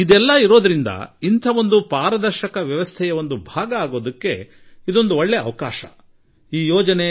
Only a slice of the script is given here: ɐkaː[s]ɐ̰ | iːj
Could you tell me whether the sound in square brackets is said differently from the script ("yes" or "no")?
yes